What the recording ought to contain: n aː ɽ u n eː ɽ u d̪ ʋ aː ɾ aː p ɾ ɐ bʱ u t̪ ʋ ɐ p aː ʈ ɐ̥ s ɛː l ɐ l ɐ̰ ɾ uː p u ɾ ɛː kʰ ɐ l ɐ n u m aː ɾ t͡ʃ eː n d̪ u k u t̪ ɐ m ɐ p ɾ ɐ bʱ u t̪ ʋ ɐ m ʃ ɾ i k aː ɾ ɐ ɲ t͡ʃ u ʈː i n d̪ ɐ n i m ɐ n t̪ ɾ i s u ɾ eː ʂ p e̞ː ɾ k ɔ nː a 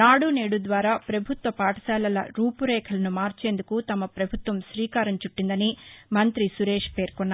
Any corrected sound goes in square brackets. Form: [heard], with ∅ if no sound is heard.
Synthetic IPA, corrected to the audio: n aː ɽ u n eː ɽ u d̪ ʋ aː ɾ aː p ɾ ɐ bʱ u t̪ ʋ ɐ p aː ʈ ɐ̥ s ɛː l ɐ l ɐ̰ ɾ uː p u ɾ ɛː kʰ ɐ l ɐ n u m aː ɾ t͡ʃ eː n d̪ u k u t̪ ɐ m ɐ p ɾ ɐ bʱ u t̪ ʋ ɐ m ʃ ɾ [iː] k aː ɾ ɐ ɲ t͡ʃ u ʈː i n d̪ ɐ n i m ɐ n t̪ ɾ i s u ɾ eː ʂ p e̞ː ɾ k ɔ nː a